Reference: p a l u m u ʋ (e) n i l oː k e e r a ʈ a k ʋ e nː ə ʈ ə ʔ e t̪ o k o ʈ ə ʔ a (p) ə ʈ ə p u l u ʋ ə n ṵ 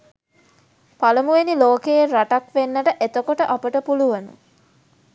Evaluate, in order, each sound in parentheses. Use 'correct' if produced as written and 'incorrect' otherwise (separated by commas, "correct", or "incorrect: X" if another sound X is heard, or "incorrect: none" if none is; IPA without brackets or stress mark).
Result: correct, correct